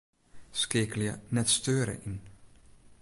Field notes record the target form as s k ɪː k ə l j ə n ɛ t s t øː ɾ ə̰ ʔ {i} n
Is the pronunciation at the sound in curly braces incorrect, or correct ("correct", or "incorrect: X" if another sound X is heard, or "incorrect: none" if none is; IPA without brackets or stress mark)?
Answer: correct